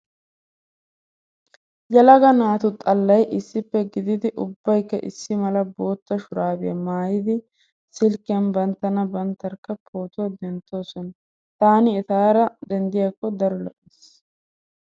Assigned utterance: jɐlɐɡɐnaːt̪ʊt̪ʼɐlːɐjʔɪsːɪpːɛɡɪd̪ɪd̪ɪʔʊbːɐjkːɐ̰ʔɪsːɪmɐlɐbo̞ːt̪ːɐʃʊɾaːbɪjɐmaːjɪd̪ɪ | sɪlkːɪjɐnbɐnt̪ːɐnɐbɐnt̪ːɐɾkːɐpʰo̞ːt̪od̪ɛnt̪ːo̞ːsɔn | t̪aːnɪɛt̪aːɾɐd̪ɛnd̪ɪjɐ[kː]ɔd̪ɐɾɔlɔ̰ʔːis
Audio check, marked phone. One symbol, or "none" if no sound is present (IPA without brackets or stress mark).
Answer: kː